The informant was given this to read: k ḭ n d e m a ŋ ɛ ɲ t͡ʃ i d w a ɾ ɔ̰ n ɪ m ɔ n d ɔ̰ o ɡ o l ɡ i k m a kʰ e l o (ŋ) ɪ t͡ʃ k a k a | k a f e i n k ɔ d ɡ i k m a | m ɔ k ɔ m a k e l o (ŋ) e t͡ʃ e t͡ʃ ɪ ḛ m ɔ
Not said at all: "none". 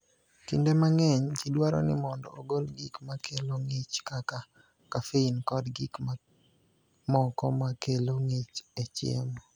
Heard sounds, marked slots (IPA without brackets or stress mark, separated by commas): ŋ, ŋ